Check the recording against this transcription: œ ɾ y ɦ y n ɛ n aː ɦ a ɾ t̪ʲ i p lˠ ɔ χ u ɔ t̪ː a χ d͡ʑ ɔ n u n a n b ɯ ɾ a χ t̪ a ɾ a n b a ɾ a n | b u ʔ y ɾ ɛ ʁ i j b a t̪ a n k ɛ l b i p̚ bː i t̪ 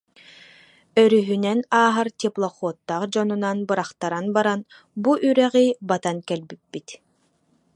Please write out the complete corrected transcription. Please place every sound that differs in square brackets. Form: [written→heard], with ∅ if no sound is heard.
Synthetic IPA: œ ɾ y ɦ y n ɛ n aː ɦ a ɾ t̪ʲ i p lˠ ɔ χ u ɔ t̪ː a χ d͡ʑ ɔ n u n a n b ɯ ɾ a χ t̪ a ɾ a n b a ɾ a n | b u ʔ y ɾ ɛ ʁ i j b a t̪ a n k ɛ l b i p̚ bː i t̪